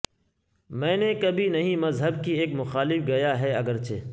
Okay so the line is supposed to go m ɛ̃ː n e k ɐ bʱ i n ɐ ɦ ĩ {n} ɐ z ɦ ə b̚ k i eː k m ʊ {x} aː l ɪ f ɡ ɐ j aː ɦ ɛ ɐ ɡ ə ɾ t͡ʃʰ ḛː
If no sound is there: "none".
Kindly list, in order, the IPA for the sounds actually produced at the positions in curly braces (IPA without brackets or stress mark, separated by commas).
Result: m, x